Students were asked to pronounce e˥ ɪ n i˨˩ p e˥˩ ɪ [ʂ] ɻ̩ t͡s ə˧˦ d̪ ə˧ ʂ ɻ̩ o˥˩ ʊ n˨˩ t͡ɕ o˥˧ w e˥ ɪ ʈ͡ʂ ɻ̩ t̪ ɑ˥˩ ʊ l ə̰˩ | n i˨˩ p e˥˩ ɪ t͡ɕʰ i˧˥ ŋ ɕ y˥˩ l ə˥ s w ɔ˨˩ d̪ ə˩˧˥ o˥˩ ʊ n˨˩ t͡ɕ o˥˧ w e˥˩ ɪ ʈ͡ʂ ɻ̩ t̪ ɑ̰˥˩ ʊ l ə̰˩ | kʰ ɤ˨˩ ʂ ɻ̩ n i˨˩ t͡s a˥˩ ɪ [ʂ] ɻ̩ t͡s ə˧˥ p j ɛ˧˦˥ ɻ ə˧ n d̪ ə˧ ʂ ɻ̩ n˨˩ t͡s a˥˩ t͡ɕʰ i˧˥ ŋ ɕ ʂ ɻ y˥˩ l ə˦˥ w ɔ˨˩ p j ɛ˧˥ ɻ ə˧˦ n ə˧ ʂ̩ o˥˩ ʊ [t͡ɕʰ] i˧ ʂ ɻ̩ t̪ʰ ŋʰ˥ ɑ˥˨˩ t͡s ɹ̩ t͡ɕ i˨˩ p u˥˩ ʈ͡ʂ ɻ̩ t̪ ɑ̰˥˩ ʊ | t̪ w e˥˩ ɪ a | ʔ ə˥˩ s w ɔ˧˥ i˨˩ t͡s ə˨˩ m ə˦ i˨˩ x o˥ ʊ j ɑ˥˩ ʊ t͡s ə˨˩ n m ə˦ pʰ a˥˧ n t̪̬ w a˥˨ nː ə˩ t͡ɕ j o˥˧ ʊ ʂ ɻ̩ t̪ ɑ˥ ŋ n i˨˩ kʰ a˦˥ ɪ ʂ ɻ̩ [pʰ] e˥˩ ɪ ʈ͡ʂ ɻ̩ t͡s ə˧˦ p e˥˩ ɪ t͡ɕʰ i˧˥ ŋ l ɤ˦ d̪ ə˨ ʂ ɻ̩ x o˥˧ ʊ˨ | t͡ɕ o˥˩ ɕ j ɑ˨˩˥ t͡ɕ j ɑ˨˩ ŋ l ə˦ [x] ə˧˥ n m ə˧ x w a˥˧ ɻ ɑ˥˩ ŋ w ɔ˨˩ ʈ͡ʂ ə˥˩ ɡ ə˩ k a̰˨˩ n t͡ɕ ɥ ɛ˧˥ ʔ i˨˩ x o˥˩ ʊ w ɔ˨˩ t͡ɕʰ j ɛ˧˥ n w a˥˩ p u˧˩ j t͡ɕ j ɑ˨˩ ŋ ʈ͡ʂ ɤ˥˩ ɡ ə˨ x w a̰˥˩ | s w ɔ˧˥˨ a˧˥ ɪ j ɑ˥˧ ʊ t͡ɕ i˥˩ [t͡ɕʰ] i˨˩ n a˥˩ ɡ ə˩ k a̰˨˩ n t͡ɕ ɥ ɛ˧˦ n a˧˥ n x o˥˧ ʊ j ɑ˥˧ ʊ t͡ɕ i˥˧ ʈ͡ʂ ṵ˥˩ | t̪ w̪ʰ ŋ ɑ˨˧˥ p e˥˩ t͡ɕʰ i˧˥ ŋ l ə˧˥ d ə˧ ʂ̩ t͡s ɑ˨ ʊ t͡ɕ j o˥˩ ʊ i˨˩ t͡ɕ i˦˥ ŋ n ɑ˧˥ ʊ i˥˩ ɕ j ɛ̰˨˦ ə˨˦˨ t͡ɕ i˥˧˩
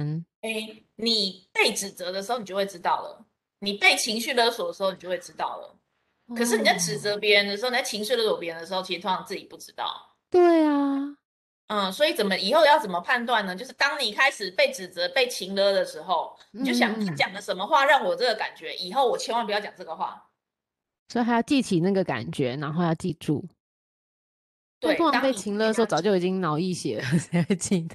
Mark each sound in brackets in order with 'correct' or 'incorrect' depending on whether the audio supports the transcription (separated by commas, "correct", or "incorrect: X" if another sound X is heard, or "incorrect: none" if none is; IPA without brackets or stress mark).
incorrect: ʈ͡ʂ, incorrect: ʈ͡ʂ, correct, incorrect: p, incorrect: ʂ, correct